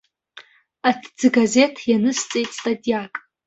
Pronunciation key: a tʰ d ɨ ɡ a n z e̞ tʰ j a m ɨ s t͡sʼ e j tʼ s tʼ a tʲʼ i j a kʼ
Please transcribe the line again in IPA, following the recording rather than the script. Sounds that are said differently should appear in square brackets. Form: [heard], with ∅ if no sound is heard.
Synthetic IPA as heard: a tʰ [d͡z] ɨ ɡ a [∅] z e̞ tʰ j a [n] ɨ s t͡sʼ e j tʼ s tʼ a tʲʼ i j a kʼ